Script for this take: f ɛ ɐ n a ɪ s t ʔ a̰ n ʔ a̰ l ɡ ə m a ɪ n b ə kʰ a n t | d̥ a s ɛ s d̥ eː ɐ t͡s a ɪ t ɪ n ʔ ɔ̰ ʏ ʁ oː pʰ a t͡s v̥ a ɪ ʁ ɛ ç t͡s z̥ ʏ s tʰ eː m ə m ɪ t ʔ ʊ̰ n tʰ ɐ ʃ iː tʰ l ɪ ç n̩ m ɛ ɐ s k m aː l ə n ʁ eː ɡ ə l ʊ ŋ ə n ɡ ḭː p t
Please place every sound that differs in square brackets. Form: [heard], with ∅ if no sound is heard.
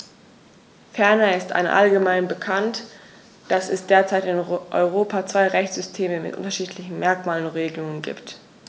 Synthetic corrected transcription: f ɛ ɐ n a ɪ s t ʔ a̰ n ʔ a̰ l ɡ ə m a ɪ n b ə kʰ a n t | d̥ a s ɛ s d̥ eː ɐ t͡s a ɪ t ɪ n ʔ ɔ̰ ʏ ʁ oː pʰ a t͡s v̥ a ɪ ʁ ɛ ç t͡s z̥ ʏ s tʰ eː m ə m ɪ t ʔ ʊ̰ n [t] ɐ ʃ iː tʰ l ɪ ç n̩ m ɛ ɐ [∅] k m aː l ə n ʁ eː ɡ ə l ʊ ŋ ə n ɡ ḭː p t